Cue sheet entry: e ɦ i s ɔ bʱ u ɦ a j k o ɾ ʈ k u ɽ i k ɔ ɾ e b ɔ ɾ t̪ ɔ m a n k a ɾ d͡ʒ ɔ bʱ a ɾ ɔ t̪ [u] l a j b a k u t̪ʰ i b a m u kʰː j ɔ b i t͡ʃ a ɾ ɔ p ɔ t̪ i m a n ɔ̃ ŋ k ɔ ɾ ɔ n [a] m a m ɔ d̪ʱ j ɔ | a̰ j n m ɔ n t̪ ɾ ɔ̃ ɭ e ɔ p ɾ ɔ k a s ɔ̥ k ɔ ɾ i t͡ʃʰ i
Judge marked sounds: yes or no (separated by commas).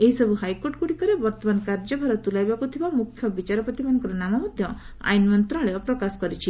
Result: yes, yes